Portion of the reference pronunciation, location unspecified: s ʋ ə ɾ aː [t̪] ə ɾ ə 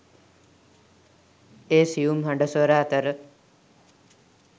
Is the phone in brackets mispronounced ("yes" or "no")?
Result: no